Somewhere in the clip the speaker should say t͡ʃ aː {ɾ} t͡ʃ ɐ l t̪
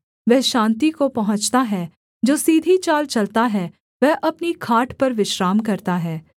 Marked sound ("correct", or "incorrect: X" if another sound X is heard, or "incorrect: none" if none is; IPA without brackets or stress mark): incorrect: l